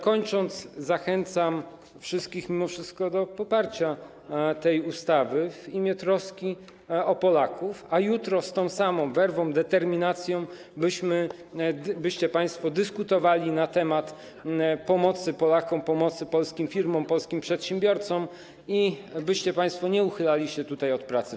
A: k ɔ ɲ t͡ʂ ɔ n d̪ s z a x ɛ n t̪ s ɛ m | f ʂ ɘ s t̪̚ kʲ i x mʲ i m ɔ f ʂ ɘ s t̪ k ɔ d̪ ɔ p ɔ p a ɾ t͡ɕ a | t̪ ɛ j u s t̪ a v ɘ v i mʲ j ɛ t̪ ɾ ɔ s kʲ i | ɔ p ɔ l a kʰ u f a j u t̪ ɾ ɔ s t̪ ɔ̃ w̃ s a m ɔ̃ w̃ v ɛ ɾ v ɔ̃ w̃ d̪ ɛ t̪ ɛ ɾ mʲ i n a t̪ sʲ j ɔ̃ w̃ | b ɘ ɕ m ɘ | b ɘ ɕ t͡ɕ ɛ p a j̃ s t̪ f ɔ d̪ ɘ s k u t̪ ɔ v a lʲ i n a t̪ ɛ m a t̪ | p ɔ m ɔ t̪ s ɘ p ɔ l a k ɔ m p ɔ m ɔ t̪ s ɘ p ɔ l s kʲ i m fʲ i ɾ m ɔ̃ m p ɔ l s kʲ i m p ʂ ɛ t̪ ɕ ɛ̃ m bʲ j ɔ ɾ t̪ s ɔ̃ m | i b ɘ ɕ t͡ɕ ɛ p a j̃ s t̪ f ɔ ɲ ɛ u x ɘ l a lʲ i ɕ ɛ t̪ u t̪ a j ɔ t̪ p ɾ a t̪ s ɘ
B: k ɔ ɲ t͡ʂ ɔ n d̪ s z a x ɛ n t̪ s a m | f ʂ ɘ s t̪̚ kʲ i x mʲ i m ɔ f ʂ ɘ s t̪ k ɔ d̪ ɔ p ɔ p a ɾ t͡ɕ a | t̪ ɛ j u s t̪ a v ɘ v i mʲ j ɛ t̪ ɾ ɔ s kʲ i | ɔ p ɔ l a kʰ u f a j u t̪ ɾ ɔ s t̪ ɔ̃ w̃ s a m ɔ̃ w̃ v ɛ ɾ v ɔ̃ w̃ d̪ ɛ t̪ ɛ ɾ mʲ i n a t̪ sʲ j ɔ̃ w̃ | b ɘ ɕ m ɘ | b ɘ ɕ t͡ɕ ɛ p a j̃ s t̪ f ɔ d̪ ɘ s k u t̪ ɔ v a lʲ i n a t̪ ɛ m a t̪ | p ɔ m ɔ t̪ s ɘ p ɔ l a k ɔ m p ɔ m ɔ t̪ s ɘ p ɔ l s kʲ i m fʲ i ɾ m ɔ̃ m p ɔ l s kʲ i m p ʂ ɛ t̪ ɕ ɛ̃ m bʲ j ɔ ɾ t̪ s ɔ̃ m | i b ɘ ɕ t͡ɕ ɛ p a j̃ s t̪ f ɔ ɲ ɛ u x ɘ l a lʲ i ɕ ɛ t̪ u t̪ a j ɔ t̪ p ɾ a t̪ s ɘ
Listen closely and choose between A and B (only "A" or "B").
B